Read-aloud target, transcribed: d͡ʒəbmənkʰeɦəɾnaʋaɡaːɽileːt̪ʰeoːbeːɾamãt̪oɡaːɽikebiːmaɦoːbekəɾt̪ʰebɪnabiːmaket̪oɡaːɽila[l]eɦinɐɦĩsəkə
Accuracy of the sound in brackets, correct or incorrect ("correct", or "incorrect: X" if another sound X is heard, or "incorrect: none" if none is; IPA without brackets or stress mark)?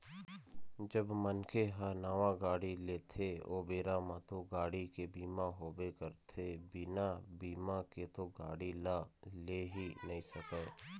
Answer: correct